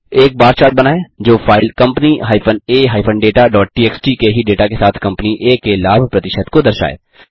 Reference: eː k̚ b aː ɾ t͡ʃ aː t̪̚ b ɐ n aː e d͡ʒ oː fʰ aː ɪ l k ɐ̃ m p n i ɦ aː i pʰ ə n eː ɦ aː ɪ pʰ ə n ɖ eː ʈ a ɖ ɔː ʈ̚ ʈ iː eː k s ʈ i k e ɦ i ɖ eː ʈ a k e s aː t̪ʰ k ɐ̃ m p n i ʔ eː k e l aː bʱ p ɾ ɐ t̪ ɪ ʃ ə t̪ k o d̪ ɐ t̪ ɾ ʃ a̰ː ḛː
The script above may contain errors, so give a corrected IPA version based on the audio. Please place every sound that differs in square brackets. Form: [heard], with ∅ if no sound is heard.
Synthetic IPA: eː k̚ b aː ɾ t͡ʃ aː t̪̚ b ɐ n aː e d͡ʒ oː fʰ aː ɪ l k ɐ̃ m p n i ɦ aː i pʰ ə n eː ɦ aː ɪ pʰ ə n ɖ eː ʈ a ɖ ɔː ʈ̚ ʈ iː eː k s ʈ i k e ɦ i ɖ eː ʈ a k e s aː t̪ʰ k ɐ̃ m p n i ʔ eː k e l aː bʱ p ɾ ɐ t̪ ɪ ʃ ə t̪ k o d̪ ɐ [∅] ɾ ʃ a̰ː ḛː